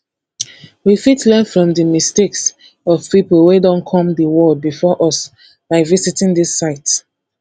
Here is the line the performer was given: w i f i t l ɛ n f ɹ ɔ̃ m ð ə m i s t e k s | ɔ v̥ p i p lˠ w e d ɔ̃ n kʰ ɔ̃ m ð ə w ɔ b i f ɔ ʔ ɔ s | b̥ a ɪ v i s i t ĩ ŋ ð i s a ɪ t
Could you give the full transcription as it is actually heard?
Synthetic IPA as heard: w i f i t l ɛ n f ɹ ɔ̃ m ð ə m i s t e k s | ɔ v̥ p i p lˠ w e d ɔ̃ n kʰ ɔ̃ m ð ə w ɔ b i f ɔ ʔ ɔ s | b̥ a ɪ v i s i t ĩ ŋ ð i s a ɪ t